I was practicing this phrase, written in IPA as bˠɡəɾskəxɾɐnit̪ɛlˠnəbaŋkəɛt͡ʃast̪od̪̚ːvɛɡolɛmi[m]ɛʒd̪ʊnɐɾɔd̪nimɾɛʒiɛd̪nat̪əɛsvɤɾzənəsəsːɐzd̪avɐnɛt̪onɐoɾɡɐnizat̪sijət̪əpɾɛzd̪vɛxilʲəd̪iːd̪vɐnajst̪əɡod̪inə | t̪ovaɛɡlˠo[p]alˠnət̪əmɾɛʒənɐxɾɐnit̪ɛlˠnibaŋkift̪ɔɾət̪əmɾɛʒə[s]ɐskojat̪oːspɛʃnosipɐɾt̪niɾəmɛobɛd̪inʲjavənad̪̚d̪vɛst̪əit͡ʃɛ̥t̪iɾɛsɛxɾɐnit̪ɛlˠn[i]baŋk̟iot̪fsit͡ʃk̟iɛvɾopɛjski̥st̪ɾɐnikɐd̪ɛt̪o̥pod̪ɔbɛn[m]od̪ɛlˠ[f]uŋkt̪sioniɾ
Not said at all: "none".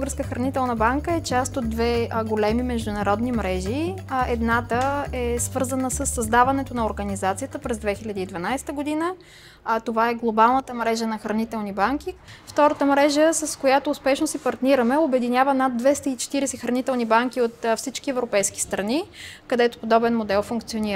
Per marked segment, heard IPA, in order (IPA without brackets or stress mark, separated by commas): m, b, s, i, m, f